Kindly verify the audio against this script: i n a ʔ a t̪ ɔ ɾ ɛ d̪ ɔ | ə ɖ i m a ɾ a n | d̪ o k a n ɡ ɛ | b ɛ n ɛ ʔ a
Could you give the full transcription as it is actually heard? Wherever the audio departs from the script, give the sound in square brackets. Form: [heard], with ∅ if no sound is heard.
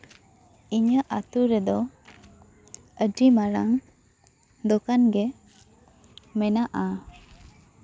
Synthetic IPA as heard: i [ɲ] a ʔ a t̪ [u] ɾ ɛ d̪ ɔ | ə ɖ i m a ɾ a [ŋ] | d̪ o k a n ɡ ɛ | [m] ɛ n [a] ʔ a